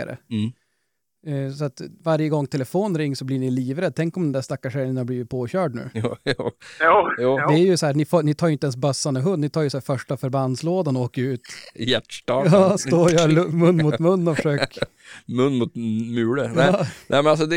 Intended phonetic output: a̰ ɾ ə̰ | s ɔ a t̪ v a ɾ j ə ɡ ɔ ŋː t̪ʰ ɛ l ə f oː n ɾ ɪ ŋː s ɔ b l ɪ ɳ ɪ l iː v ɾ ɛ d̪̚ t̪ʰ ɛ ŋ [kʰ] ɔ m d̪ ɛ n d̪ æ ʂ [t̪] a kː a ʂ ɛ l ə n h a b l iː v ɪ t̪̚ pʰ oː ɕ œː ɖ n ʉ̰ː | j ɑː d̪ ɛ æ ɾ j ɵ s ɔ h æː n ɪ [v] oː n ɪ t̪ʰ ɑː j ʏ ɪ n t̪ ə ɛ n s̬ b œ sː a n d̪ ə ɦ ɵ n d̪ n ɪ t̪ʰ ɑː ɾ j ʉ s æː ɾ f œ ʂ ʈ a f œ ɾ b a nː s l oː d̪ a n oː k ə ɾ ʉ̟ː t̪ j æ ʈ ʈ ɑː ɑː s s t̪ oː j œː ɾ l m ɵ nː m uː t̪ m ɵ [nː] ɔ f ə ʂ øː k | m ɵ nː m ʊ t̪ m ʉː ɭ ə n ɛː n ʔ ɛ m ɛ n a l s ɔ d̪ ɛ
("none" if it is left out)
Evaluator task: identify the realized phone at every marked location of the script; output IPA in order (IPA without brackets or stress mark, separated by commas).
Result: k, t̪, f, nː